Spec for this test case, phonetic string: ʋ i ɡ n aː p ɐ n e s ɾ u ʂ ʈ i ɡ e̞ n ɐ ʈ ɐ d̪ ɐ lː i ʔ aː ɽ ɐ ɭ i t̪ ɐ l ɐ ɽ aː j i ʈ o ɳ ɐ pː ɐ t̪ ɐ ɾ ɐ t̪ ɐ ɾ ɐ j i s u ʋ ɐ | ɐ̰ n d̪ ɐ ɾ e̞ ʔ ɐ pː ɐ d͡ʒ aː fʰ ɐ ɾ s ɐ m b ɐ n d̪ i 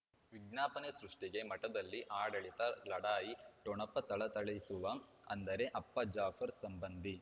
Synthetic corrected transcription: ʋ i ɡ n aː p ɐ n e s ɾ u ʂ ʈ i ɡ e̞ m ɐ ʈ ɐ d̪ ɐ lː i ʔ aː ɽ ɐ ɭ i t̪ ɐ l ɐ ɽ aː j i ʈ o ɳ ɐ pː ɐ t̪ ɐ ɭ ɐ t̪ ɐ ɭ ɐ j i s u ʋ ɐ | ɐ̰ n d̪ ɐ ɾ e̞ ʔ ɐ pː ɐ d͡ʒ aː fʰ ɐ ɾ s ɐ m b ɐ n d̪ i